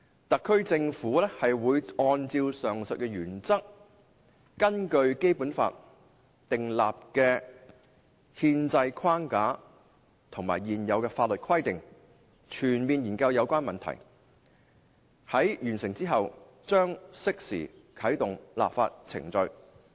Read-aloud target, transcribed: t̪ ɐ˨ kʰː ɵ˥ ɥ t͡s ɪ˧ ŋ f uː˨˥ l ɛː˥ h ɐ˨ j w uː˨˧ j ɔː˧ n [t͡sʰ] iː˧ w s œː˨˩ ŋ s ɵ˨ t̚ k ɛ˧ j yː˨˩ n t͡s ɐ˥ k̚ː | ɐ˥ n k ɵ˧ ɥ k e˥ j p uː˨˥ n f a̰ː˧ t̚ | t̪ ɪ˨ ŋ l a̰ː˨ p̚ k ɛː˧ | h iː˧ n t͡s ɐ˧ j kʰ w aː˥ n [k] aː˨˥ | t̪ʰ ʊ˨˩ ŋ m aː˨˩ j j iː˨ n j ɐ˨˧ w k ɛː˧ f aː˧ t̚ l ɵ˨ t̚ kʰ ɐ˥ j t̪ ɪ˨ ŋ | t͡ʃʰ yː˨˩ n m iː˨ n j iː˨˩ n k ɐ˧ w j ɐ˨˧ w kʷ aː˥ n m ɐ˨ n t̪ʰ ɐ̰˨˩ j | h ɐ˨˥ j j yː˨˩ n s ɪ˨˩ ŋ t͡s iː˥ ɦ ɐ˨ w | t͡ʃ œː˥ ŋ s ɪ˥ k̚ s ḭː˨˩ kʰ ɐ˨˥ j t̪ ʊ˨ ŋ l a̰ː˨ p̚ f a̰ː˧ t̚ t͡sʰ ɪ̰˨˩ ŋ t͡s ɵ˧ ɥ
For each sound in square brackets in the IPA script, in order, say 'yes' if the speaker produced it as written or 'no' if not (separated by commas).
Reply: no, yes